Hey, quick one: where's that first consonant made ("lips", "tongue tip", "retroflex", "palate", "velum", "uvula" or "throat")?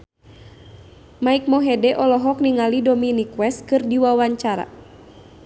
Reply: lips